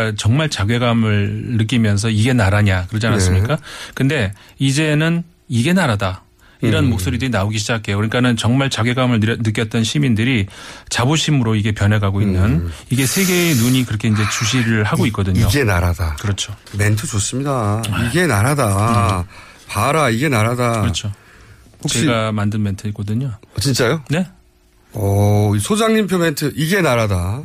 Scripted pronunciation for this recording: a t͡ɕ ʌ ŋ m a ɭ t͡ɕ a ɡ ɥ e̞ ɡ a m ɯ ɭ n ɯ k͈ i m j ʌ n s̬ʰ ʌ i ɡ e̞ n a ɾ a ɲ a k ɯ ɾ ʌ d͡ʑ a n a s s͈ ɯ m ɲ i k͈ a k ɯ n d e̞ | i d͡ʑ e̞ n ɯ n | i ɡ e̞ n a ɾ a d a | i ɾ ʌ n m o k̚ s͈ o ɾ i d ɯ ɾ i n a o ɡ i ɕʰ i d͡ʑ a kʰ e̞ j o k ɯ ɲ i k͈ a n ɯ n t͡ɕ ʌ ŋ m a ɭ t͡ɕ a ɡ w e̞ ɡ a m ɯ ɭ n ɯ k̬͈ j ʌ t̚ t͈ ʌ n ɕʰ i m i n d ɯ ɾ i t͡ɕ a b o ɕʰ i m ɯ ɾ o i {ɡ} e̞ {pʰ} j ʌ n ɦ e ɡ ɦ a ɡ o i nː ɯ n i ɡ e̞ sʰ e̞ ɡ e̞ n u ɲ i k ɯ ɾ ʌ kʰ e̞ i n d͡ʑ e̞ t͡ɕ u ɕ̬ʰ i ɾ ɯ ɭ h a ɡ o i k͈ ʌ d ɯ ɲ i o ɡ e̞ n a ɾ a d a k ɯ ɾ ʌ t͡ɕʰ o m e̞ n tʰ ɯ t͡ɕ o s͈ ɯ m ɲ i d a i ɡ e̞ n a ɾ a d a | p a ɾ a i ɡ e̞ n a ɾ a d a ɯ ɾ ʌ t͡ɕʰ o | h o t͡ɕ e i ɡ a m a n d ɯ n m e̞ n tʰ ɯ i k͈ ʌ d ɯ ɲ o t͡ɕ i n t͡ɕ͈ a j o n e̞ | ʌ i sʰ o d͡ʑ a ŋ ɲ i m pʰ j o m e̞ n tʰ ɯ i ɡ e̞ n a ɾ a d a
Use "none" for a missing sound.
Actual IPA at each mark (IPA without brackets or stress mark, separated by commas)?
ɡ, p